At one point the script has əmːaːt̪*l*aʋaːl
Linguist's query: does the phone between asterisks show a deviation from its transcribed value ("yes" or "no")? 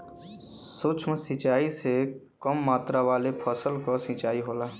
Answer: yes